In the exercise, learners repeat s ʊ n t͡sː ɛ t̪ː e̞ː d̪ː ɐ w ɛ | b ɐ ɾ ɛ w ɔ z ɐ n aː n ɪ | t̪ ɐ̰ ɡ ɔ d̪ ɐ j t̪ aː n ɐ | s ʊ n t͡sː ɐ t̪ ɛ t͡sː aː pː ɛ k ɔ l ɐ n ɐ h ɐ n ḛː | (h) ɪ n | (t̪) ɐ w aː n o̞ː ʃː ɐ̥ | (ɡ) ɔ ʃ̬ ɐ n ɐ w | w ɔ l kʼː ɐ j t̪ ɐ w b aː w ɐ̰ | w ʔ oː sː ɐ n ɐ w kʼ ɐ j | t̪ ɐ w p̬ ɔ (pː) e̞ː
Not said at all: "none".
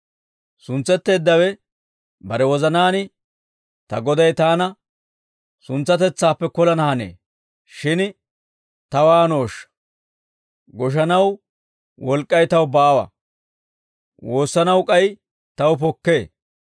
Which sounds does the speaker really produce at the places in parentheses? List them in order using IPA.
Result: ʃ, t̪, ɡ, kː

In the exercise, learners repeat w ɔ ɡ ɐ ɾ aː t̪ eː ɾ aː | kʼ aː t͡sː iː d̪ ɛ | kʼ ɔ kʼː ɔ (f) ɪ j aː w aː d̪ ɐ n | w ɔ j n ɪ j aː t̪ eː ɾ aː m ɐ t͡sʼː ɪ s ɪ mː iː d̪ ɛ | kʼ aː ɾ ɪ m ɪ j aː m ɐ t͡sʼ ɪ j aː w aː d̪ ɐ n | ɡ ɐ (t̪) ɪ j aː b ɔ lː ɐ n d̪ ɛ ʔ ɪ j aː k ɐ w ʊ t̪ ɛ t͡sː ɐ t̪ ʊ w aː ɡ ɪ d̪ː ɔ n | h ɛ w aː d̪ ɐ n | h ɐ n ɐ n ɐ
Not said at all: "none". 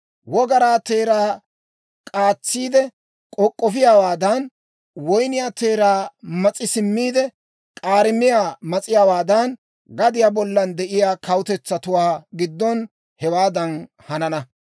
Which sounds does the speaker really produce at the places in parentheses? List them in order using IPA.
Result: f, d̪

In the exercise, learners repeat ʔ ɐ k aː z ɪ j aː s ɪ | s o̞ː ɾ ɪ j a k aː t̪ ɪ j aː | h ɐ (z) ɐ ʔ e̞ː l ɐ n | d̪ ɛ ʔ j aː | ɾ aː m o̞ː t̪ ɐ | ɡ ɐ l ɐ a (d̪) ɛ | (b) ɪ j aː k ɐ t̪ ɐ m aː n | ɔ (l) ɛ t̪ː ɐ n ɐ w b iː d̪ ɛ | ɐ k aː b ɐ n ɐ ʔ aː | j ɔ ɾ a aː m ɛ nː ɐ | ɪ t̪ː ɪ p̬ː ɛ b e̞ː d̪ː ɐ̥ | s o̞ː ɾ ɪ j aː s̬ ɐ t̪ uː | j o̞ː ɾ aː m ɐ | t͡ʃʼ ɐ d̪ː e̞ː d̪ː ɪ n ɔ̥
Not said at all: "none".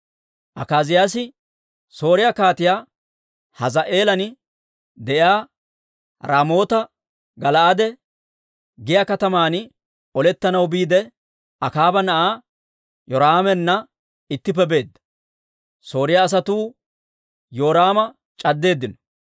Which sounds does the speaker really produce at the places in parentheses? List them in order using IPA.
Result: z, d̪, ɡ, l

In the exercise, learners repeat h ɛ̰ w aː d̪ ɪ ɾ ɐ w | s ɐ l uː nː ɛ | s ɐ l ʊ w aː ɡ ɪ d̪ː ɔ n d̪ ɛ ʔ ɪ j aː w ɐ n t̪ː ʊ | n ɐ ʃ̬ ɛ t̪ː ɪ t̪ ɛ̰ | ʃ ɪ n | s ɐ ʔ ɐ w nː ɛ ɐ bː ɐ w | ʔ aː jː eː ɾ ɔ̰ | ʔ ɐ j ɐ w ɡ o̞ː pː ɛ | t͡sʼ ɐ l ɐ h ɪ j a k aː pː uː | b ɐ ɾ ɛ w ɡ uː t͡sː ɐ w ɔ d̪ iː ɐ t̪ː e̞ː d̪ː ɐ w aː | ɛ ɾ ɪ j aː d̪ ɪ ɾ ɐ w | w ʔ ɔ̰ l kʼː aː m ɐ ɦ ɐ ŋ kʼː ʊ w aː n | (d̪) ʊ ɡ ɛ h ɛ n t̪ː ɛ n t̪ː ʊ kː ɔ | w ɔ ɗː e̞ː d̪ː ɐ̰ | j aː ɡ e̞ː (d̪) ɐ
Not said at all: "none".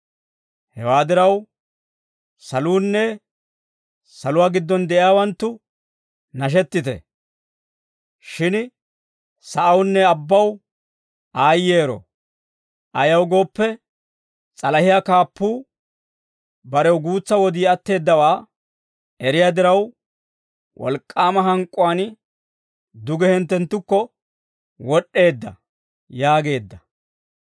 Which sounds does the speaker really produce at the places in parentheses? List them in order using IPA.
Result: d̪, d̪ː

